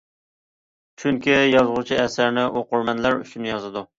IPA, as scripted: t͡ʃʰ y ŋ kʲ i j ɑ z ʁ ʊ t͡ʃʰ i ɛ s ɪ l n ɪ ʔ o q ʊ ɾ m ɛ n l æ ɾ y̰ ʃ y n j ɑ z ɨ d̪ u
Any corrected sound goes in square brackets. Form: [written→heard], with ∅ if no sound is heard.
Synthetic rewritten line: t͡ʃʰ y ŋ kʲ i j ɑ z ʁ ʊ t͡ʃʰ i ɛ s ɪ [l→ɾ] n ɪ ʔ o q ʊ ɾ m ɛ n l æ ɾ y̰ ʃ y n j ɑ z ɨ d̪ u